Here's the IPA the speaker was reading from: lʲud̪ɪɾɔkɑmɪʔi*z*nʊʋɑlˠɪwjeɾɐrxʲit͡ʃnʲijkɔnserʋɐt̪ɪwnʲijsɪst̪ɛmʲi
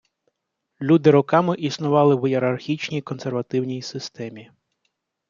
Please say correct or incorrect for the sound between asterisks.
incorrect